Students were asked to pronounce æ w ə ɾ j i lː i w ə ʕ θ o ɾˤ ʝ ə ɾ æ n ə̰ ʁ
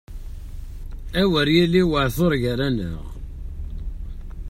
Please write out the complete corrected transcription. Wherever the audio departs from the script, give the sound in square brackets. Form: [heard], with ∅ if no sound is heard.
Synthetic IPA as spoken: æ w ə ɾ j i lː i w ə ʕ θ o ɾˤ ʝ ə ɾ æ n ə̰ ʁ